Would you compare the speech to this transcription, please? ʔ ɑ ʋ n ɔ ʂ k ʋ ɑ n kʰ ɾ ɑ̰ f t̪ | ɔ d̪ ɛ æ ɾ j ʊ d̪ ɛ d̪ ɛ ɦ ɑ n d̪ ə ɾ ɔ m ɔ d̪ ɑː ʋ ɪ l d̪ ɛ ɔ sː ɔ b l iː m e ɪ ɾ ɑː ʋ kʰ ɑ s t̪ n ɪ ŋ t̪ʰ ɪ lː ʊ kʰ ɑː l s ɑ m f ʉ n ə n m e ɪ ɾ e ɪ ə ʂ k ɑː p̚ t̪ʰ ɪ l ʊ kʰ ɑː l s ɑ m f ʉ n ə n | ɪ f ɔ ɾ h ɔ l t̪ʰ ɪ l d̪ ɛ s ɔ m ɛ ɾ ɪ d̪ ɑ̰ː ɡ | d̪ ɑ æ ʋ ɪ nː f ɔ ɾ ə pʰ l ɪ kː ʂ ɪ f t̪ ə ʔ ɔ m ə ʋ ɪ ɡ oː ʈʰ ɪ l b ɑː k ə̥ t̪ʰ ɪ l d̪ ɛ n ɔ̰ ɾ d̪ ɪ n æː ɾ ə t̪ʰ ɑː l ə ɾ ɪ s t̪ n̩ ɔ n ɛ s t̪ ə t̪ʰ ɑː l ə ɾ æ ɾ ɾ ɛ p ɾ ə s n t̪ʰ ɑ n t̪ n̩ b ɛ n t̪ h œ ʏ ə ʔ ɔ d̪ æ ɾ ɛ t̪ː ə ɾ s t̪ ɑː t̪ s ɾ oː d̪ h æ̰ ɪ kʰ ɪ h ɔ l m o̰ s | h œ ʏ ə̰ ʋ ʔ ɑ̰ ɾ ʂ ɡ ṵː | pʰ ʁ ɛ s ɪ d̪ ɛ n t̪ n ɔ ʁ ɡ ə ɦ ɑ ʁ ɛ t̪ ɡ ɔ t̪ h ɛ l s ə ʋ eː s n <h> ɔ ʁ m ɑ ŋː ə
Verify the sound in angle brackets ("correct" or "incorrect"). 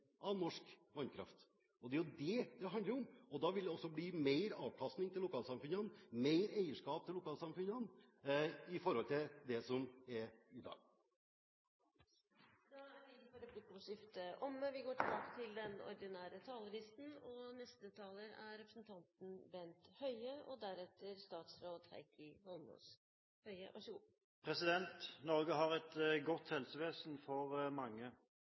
incorrect